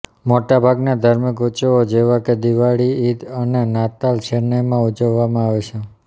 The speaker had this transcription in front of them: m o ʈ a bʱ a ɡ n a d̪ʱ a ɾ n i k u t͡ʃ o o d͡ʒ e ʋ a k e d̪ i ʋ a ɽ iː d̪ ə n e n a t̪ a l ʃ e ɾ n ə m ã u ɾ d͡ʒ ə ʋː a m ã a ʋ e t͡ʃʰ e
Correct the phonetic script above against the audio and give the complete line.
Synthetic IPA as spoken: m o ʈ a bʱ a ɡ n a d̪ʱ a ɾ m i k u t͡ʃ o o d͡ʒ e ʋ a k e d̪ i ʋ a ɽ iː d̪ ə n e n a t̪ a l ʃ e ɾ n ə m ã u d͡ʒ ə ʋː a m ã a ʋ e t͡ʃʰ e